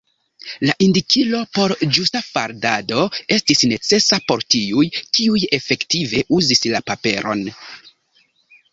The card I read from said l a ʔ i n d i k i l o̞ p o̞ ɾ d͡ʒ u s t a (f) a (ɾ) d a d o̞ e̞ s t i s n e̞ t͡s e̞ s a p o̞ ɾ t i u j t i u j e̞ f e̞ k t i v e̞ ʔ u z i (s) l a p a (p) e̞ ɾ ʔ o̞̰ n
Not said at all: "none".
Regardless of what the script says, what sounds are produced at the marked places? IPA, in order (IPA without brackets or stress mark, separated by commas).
f, ɾ, s, p